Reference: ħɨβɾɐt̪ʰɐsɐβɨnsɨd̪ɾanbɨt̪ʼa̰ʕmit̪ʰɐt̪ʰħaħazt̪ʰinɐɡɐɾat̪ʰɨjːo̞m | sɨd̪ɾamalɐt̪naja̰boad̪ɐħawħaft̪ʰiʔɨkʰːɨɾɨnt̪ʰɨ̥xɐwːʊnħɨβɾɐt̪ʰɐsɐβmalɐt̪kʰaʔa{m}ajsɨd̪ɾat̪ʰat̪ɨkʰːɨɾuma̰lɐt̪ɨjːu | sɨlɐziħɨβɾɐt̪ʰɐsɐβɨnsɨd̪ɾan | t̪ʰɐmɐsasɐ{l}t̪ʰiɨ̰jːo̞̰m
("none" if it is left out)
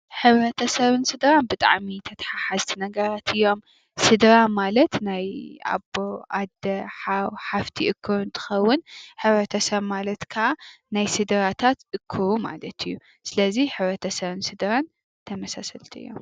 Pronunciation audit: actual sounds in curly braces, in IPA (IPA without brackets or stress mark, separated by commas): n, l